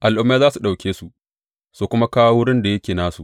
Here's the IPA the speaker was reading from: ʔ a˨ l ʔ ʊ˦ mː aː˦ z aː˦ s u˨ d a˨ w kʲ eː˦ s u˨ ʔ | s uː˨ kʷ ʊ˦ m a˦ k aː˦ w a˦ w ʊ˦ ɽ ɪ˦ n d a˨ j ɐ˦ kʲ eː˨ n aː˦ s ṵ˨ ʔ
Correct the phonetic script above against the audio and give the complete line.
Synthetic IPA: ʔ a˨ l ʔ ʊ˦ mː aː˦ z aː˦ s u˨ ɗ a˨ w kʲ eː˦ s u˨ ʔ | s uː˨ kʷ ʊ˦ m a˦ k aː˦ w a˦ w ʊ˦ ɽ ɪ˦ n d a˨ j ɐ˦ kʲ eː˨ n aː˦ s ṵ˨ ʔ

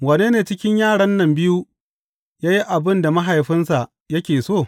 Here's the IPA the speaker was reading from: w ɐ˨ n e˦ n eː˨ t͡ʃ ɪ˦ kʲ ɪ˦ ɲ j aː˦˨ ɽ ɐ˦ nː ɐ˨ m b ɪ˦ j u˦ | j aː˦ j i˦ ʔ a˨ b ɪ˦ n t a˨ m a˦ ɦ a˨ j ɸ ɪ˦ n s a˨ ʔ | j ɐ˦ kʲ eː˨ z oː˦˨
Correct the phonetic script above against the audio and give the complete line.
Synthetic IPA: w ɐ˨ n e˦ n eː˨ t͡ʃ ɪ˦ kʲ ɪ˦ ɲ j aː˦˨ ɽ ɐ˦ nː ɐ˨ m b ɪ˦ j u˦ | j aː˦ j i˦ ʔ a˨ b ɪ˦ n d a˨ m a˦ ɦ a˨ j ɸ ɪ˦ n s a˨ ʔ | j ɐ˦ kʲ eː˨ s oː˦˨

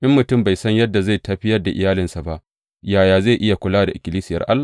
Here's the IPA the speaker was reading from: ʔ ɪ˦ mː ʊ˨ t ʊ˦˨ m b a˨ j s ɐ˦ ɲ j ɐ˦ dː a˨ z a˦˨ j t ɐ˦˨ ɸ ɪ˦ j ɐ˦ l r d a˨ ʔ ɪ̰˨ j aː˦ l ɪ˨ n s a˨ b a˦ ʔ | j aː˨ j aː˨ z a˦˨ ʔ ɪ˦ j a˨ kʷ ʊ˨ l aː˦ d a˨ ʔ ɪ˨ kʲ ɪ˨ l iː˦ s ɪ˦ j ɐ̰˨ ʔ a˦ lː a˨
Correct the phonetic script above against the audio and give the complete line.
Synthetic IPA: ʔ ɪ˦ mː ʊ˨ t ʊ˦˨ m b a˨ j s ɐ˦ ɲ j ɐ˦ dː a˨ z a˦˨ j t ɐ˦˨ ɸ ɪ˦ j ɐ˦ r d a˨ ʔ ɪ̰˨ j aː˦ l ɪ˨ n s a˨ b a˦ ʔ | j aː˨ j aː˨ z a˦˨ ʔ ɪ˦ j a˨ kʷ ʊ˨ l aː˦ d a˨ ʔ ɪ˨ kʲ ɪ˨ l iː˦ s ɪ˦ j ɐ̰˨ ʔ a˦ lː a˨

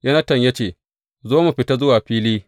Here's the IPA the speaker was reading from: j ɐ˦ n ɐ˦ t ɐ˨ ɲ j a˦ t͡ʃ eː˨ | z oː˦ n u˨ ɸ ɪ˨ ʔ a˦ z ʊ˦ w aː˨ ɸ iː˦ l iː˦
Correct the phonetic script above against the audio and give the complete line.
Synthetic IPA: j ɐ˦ n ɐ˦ t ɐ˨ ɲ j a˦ t͡ʃ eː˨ | z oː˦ m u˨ ɸ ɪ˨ t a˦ z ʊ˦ w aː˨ ɸ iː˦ l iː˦

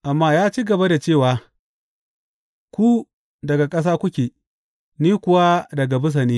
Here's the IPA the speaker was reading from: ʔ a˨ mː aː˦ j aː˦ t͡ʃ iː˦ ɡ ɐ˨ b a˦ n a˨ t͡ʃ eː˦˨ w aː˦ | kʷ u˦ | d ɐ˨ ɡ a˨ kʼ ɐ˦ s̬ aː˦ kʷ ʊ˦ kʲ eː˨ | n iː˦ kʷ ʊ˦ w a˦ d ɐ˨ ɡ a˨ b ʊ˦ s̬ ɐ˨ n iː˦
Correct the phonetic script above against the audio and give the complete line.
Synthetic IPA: ʔ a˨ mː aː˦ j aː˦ t͡ʃ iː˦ ɡ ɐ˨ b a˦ d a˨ t͡ʃ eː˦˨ w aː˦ | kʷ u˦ | d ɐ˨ ɡ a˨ kʼ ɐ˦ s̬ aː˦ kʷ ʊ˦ kʲ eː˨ | n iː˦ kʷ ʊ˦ w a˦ d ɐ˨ ɡ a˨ b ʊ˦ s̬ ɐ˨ n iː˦

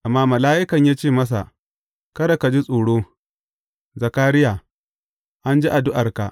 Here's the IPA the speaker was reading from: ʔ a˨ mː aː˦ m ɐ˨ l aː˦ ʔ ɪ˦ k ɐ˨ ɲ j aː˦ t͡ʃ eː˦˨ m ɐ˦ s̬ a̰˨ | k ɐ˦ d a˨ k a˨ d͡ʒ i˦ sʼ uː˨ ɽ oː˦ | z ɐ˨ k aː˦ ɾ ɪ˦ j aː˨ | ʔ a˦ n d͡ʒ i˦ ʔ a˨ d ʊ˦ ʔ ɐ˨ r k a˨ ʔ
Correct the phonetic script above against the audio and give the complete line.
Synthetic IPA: ʔ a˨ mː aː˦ m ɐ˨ l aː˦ ʔ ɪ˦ k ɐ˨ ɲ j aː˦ t͡ʃ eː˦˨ m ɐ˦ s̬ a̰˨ | k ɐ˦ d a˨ k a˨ d͡ʒ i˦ sʼ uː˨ ɽ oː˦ | z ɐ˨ k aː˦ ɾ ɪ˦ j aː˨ | ʔ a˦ n d͡ʒ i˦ ʔ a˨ d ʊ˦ ʔ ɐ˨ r k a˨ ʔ

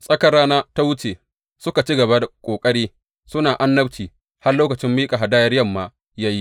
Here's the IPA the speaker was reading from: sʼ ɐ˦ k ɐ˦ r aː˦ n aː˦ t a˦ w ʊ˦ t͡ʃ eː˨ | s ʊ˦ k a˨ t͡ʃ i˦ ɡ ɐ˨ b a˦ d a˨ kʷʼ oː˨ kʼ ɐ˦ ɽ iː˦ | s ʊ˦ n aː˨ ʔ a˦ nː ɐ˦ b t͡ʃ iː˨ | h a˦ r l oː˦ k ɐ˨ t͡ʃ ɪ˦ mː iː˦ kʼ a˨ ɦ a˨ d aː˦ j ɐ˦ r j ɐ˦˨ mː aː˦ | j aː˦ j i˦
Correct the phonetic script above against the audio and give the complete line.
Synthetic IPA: sʼ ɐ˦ k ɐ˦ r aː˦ n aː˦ t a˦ w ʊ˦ t͡ʃ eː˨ | s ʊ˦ k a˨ t͡ʃ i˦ ɡ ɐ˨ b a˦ d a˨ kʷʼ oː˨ kʼ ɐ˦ ɽ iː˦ | s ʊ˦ n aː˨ ʔ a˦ nː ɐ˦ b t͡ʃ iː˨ | h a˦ r l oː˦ k ɐ˨ t͡ʃ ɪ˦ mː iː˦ kʼ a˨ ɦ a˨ d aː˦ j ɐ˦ r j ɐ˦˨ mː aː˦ | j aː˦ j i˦

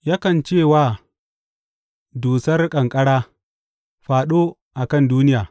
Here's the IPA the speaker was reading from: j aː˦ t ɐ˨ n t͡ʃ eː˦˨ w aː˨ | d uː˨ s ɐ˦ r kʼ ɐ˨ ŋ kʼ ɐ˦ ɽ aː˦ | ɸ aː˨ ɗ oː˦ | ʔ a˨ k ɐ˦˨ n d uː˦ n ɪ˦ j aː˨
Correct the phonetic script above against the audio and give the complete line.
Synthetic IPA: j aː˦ k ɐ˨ n t͡ʃ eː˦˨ w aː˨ | d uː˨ s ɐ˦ r kʼ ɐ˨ ŋ kʼ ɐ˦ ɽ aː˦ | ɸ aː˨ ɗ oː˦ | ʔ a˨ k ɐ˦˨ n d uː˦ n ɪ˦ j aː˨

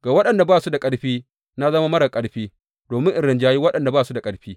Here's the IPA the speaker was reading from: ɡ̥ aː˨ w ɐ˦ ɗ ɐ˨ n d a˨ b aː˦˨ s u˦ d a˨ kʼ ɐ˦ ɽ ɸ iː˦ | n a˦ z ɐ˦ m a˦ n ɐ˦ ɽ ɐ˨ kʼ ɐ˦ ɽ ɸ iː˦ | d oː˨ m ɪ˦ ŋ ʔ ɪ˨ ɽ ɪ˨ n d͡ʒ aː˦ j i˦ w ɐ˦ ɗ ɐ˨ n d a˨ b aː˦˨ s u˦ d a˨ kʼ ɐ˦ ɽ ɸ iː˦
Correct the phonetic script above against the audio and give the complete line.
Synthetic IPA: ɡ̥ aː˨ w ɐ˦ ɗ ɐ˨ n d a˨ b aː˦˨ s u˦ d a˨ kʼ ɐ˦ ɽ ɸ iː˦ | n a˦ z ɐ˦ m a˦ m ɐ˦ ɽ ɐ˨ kʼ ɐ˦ ɽ ɸ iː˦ | d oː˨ m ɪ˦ ŋ ʔ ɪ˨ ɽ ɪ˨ n d͡ʒ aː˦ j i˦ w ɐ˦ ɗ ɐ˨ n d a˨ b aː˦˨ s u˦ d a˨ kʼ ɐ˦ ɽ ɸ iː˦

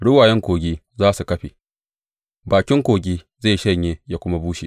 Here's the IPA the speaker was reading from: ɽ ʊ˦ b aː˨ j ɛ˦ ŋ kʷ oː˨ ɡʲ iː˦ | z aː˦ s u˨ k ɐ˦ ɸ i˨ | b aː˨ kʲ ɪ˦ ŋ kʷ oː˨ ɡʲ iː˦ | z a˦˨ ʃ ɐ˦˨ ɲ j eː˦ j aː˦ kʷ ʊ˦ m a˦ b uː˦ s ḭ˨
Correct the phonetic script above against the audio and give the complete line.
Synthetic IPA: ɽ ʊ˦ w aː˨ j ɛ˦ ŋ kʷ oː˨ ɡʲ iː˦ | z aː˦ s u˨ k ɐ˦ ɸ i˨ | b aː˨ kʲ ɪ˦ ŋ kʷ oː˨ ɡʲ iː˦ | z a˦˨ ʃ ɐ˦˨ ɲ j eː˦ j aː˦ kʷ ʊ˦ m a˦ b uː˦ ʃ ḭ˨

